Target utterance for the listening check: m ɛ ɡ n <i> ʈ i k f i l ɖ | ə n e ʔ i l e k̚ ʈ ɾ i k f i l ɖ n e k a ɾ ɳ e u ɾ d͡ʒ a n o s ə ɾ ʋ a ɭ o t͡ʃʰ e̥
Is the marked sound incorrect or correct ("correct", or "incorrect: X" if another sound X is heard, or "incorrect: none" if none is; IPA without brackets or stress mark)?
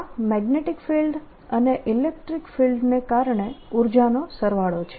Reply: incorrect: e